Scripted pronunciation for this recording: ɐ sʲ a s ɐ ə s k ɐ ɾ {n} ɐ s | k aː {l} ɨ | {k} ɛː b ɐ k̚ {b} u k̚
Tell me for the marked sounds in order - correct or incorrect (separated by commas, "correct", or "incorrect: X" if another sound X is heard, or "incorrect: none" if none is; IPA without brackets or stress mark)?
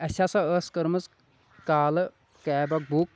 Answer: incorrect: m, correct, correct, correct